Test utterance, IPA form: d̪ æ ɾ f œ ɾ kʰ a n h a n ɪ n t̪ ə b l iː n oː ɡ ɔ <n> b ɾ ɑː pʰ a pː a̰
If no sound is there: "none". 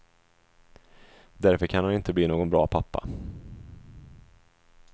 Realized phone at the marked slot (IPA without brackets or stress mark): n